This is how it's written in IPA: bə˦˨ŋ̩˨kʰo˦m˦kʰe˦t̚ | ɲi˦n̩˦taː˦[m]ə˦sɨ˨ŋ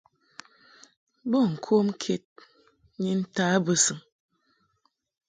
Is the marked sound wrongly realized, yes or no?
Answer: yes